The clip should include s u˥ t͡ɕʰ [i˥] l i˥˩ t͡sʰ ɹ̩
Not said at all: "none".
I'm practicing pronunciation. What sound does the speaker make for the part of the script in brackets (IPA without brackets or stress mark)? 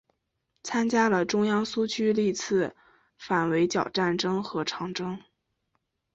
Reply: y˥